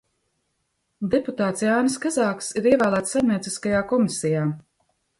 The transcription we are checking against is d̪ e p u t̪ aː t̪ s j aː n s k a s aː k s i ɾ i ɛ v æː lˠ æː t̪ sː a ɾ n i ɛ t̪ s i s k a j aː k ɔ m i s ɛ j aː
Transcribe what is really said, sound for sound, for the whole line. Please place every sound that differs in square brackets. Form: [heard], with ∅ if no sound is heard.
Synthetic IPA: d̪ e p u t̪ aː t̪ s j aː n s k a [z] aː k s i ɾ i ɛ v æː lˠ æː t̪ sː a ɾ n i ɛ t̪ s i s k a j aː k ɔ m i s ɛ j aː